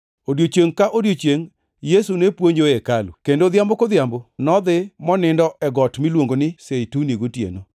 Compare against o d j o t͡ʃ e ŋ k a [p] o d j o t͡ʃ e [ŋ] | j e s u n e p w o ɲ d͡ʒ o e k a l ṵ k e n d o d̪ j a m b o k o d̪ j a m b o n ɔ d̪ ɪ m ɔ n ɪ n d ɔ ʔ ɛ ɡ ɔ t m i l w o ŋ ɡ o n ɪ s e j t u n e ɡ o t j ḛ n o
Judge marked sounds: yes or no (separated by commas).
no, yes